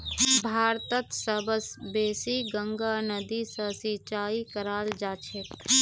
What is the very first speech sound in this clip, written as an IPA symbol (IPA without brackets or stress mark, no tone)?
bʱ